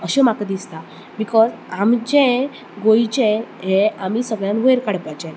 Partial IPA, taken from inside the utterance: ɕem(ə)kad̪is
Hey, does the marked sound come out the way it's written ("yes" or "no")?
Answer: no